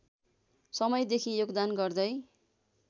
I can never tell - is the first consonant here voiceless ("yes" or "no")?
yes